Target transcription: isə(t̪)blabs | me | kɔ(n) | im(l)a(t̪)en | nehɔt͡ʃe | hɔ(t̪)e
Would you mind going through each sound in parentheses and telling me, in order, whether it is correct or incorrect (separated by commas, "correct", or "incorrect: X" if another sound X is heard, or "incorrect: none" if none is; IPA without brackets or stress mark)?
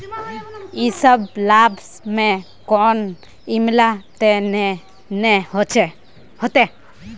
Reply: incorrect: none, correct, correct, correct, correct